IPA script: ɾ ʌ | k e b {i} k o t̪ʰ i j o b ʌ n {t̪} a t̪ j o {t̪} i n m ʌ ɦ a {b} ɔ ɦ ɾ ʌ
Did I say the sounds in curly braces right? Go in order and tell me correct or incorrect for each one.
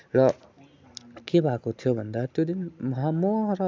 incorrect: a, incorrect: d̪, incorrect: d̪, incorrect: m

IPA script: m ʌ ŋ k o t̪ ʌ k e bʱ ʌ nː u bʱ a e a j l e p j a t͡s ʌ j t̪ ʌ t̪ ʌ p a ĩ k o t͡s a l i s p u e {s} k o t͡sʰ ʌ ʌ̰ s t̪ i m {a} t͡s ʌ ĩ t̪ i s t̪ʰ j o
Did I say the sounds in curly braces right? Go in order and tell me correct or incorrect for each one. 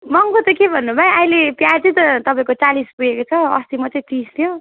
incorrect: none, incorrect: ʌ

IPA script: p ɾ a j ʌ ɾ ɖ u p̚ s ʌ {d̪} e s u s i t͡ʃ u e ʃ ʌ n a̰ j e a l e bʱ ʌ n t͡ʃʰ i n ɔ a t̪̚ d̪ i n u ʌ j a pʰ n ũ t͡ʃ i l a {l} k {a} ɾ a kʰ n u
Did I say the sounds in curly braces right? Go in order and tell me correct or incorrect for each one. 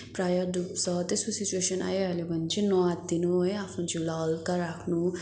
incorrect: t̪, correct, correct

